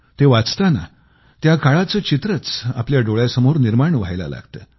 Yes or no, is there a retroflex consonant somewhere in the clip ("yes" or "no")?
yes